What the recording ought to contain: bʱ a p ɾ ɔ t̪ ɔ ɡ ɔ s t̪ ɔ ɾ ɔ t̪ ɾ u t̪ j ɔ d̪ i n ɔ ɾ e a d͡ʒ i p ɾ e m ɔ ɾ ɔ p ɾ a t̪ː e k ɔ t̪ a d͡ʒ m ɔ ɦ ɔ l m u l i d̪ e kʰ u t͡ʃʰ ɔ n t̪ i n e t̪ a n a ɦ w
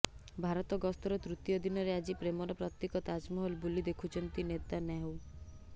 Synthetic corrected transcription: bʱ a ɾ ɔ t̪ ɔ ɡ ɔ s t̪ ɔ ɾ ɔ t̪ ɾ u t̪ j ɔ d̪ i n ɔ ɾ e a d͡ʒ i p ɾ e m ɔ ɾ ɔ p ɾ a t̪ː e k ɔ t̪ a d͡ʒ m ɔ ɦ ɔ l b u l i d̪ e kʰ u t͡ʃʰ ɔ n t̪ i n e t̪ a n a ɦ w